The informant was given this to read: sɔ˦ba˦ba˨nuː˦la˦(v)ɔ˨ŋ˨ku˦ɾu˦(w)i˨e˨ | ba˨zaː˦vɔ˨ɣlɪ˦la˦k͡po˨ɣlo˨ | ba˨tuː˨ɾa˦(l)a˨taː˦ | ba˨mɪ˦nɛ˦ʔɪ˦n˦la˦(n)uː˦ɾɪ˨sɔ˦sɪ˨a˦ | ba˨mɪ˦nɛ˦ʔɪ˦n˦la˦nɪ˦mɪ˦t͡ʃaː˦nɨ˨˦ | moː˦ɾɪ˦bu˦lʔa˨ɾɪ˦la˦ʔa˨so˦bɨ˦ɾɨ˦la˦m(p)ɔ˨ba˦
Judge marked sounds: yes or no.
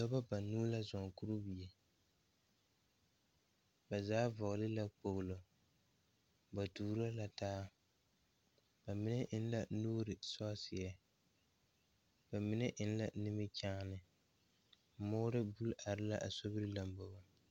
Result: no, no, yes, yes, no

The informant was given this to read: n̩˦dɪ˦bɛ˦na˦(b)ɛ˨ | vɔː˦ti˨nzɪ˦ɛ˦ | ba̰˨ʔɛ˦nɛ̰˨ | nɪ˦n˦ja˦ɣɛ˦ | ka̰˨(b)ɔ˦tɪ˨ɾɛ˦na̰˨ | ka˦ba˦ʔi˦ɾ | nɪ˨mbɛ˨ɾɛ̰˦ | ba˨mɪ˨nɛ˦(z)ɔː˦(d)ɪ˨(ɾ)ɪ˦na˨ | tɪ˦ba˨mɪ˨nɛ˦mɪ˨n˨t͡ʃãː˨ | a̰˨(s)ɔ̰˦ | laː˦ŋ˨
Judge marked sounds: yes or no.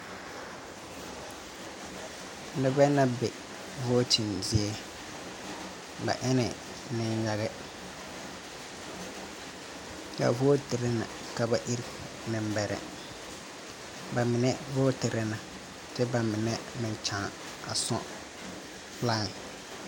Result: yes, no, no, no, yes, yes

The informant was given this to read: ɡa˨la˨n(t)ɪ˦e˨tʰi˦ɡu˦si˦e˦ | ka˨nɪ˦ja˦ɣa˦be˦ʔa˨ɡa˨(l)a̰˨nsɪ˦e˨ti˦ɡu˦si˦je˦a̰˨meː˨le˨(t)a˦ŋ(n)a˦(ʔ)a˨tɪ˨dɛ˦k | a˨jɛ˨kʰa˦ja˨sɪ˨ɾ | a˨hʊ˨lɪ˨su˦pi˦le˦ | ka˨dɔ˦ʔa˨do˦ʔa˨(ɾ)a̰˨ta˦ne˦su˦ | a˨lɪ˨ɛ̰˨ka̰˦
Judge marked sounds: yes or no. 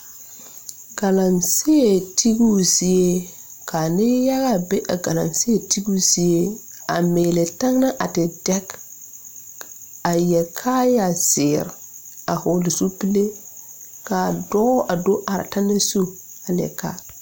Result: no, yes, yes, yes, yes, yes

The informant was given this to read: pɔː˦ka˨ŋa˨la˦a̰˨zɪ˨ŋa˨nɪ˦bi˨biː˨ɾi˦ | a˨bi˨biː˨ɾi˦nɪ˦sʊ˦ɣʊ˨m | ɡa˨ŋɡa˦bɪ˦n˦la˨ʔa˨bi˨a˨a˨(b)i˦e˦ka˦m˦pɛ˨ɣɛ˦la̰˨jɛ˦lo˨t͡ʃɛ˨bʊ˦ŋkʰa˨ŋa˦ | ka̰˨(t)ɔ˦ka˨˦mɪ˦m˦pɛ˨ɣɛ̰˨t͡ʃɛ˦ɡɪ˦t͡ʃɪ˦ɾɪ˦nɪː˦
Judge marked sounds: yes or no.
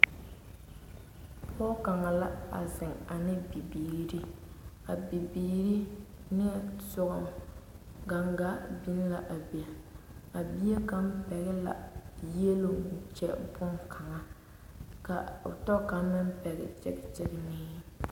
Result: yes, yes

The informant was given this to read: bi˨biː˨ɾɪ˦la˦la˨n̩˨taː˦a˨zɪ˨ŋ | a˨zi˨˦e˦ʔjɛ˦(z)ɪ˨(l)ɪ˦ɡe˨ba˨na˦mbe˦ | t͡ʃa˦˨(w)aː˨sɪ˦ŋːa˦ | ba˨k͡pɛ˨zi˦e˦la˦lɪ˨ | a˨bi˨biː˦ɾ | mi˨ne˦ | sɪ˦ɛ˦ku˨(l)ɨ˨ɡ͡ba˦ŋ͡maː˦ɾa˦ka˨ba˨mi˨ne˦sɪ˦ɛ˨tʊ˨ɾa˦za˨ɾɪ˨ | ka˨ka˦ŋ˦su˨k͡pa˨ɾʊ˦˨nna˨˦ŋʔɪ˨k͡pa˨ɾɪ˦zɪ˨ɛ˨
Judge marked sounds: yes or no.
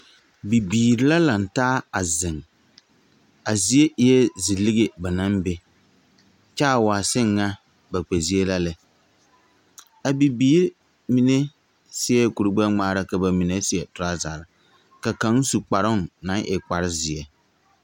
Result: yes, yes, yes, no

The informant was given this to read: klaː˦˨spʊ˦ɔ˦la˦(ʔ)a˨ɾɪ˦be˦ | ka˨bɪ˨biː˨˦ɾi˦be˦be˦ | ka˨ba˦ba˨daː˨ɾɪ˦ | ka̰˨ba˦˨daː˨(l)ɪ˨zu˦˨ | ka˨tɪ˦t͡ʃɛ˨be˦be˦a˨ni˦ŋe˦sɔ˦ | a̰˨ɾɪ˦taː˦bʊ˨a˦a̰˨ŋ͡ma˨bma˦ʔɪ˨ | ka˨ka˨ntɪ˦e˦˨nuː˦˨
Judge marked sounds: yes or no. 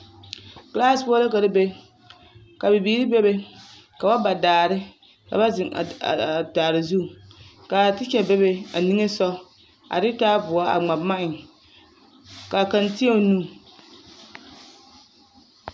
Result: no, no

